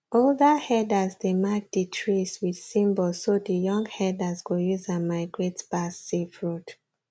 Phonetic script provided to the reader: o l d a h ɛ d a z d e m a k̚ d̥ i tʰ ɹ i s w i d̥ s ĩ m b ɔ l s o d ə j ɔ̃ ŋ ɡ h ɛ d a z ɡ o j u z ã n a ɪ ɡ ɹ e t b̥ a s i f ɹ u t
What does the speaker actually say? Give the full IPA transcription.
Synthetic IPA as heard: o l d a h ɛ d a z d e m a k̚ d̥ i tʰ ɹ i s w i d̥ s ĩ m b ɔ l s o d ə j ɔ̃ ŋ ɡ h ɛ d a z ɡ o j u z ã m a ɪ ɡ ɹ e t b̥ a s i f ɹ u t